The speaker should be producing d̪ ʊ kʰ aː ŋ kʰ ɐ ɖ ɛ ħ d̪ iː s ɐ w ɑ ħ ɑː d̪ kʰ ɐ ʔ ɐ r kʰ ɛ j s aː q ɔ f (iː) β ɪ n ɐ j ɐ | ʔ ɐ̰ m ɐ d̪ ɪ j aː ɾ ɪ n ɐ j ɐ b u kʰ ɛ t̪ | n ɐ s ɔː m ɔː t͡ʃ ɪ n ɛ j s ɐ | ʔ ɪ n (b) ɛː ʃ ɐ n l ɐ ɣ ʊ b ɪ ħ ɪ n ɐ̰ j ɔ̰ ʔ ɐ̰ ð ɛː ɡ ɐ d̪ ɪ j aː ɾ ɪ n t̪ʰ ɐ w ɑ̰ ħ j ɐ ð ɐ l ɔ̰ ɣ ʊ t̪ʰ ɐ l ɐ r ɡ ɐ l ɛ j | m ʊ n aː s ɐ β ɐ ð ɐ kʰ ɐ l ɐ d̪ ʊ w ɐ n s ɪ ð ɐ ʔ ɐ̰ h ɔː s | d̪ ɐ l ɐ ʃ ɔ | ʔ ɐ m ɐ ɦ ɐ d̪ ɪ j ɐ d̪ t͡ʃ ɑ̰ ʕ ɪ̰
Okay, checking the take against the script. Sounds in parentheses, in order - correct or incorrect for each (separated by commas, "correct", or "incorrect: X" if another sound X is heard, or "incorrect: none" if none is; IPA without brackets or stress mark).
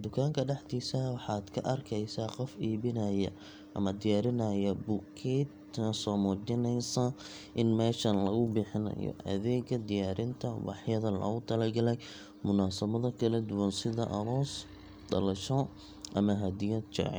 correct, incorrect: m